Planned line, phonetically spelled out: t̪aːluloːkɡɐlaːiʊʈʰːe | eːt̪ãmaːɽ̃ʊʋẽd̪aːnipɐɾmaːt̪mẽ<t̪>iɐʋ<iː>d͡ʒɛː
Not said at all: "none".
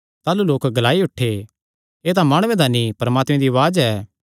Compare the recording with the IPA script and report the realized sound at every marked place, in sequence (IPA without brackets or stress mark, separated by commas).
d̪, aː